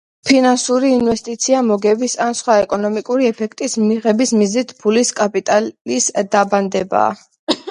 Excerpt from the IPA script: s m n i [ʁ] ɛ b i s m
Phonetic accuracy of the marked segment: correct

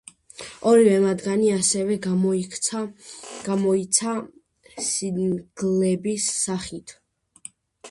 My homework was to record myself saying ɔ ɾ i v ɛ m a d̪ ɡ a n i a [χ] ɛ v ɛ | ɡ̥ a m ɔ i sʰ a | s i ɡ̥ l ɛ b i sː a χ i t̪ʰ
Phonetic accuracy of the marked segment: incorrect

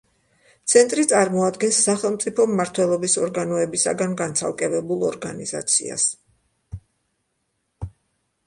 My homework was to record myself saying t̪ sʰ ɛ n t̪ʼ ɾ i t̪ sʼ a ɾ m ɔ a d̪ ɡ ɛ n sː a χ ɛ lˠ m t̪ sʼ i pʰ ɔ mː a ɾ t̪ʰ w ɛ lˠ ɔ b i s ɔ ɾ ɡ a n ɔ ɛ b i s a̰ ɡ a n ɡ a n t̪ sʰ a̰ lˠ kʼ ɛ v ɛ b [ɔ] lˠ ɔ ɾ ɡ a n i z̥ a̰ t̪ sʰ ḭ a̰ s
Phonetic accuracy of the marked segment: incorrect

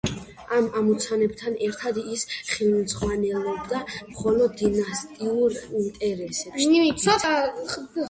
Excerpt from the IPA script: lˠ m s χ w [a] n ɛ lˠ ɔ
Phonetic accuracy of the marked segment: correct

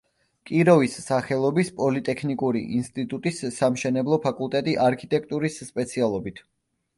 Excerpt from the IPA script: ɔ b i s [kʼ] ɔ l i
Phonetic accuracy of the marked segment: incorrect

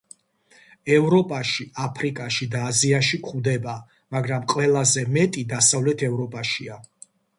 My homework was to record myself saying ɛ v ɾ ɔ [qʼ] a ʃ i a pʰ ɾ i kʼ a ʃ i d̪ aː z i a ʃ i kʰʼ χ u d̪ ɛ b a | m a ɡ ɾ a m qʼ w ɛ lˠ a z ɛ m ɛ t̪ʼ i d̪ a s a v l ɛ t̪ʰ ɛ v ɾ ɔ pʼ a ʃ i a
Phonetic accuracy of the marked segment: incorrect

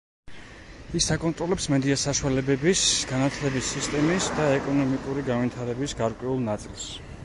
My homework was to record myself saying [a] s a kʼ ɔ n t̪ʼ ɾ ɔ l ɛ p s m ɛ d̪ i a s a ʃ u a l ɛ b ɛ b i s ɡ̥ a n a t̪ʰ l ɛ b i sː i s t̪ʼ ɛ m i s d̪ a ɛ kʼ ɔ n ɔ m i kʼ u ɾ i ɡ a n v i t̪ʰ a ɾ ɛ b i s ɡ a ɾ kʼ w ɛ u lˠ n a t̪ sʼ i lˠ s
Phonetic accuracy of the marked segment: incorrect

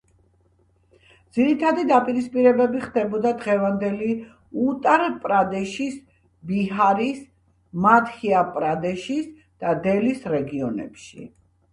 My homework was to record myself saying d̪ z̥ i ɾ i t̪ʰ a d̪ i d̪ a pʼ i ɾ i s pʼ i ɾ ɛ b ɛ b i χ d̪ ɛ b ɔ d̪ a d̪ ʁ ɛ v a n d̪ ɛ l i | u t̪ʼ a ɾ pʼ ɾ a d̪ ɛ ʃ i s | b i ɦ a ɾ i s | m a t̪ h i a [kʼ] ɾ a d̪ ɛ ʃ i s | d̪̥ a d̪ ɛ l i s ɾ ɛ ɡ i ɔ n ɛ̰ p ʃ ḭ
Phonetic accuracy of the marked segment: incorrect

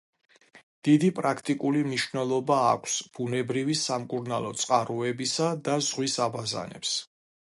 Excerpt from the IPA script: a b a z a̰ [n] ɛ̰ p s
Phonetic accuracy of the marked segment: correct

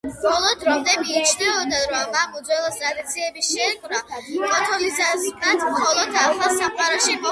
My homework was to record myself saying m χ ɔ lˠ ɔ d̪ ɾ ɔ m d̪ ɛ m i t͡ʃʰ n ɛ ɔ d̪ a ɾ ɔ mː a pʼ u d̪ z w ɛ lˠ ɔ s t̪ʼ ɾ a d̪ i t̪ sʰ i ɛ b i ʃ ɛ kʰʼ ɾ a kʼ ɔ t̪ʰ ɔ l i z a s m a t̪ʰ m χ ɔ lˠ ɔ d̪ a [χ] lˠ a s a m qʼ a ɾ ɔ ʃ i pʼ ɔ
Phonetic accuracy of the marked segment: correct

